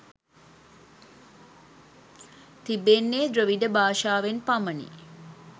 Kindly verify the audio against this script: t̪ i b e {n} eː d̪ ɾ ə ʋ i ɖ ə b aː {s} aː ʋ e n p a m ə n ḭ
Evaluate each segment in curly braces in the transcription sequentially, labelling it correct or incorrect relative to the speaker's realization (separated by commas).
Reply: incorrect, incorrect